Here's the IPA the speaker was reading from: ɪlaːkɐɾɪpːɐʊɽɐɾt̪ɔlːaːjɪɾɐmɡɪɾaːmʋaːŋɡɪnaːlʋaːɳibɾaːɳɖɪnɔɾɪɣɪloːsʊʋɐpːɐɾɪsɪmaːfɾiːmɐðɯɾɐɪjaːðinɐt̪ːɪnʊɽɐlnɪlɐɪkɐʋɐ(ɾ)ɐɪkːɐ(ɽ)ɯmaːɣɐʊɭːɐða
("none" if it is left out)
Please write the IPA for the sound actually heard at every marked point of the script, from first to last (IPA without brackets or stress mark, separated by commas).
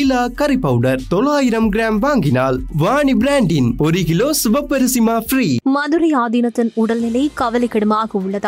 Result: l, ɽ